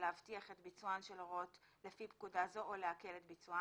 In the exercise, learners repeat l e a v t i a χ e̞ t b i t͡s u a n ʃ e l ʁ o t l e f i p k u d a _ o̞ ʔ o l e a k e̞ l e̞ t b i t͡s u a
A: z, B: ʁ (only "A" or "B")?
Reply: A